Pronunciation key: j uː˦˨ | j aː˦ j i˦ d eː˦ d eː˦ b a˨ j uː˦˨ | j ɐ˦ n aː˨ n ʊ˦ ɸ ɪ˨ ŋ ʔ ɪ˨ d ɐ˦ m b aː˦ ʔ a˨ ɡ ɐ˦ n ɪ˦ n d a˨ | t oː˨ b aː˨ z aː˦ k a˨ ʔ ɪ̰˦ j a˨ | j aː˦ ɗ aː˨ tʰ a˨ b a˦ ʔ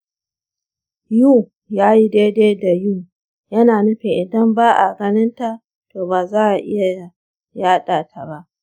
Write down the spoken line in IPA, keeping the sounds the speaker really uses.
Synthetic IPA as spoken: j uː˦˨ | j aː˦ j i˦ d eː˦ d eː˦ d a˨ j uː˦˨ | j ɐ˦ n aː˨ n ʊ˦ ɸ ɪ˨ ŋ ʔ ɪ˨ d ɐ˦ m b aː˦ ʔ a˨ ɡ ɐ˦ n ɪ˦ n t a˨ | t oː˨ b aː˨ z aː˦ ʔ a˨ ʔ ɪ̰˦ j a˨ | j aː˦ ɗ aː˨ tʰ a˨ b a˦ ʔ